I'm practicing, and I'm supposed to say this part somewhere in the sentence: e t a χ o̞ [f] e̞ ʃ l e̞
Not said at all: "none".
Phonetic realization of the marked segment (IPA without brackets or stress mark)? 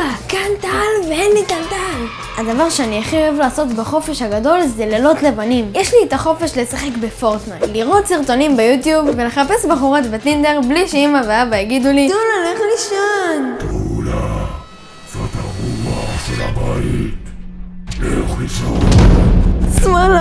f